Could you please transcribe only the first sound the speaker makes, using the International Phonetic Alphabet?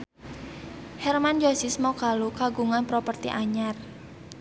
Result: h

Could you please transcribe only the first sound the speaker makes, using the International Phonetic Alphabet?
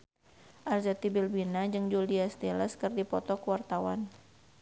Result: ʔ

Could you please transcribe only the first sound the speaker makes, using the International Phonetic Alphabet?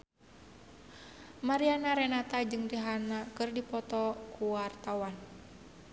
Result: m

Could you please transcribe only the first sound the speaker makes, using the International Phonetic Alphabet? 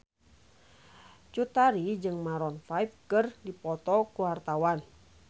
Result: t͡ʃ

